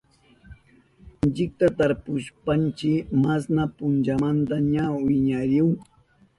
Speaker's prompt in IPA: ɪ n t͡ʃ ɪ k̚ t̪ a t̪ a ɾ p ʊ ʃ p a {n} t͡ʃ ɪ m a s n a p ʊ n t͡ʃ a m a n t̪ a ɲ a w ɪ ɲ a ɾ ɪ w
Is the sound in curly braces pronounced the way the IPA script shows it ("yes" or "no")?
yes